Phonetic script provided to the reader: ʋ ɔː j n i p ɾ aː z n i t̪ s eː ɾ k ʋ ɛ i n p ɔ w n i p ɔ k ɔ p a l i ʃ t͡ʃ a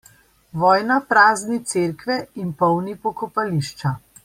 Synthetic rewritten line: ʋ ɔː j n a p ɾ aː z n i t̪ s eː ɾ k ʋ ɛ i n p ɔ w n i p ɔ k ɔ p a l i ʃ t͡ʃ a